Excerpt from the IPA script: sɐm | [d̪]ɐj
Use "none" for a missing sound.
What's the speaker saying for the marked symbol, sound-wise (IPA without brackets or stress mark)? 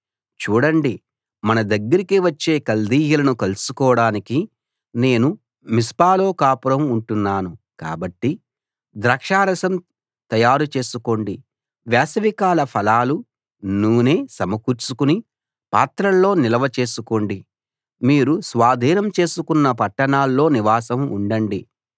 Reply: t̪